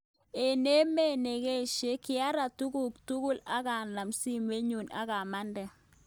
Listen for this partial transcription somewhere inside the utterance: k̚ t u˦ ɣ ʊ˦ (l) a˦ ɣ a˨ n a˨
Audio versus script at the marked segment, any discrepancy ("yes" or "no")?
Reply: no